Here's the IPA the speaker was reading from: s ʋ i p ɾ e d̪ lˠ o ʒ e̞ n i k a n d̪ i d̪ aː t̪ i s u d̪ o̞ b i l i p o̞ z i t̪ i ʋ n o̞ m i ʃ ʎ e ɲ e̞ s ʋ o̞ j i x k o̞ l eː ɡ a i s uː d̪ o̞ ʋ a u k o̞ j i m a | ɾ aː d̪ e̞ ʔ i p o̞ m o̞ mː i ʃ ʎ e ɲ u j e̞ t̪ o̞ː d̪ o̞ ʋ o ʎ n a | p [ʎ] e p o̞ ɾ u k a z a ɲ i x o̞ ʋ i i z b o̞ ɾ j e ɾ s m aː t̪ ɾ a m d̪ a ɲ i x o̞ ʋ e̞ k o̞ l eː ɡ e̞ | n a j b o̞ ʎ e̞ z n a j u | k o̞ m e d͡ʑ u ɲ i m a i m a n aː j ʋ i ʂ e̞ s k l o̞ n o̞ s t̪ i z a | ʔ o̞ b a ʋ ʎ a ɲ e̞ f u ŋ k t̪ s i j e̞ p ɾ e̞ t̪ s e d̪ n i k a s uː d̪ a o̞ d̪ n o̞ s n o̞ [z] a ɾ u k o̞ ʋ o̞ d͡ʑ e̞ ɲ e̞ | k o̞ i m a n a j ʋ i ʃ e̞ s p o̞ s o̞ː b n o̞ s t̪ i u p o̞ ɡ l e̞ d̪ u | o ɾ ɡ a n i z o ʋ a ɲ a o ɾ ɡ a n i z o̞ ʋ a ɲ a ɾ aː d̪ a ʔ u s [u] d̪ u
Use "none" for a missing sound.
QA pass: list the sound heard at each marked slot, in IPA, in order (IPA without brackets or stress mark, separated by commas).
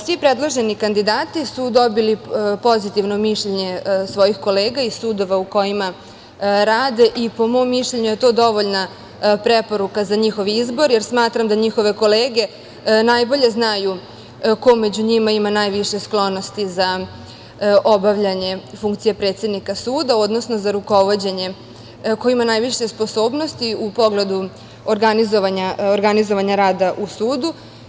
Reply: ɾ, z, uː